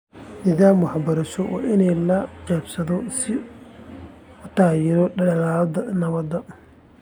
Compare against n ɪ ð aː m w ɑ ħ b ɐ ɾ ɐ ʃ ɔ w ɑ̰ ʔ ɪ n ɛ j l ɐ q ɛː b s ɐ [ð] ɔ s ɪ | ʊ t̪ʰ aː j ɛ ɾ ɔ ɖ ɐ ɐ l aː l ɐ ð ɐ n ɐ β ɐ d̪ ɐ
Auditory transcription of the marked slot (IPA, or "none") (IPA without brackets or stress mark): ð